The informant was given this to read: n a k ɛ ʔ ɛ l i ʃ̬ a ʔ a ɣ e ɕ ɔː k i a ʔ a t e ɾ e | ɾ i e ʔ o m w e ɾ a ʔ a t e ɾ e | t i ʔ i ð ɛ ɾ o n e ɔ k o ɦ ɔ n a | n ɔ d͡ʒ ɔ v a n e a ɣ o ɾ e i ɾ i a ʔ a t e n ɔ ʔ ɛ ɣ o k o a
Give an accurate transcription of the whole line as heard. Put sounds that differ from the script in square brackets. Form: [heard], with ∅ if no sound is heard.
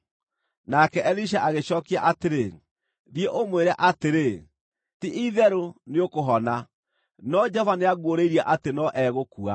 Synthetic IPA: n a k ɛ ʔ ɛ l i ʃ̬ a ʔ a ɣ e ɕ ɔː k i a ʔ a t e ɾ e | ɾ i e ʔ o m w e ɾ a ʔ a t e ɾ e | t i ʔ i ð ɛ ɾ o n e [o] k o ɦ ɔ n a | n ɔ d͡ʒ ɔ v a n e a ɣ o ɾ e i ɾ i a ʔ a t e n ɔ ʔ ɛ ɣ o k [u] a